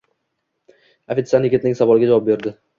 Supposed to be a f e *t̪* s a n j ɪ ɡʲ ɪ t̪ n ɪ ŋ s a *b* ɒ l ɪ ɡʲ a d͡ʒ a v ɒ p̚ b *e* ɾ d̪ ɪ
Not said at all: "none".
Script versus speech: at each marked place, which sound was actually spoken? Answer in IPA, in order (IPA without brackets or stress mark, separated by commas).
t̪, v, e